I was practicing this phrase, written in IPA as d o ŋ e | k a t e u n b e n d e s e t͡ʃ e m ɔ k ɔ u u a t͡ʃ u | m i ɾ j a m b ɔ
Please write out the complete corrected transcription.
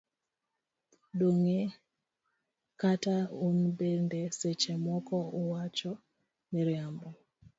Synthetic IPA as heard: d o ŋ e | k a t a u n b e n d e s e t͡ʃ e m ɔ k ɔ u w a t͡ʃ ɔ | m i ɾ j a m b ɔ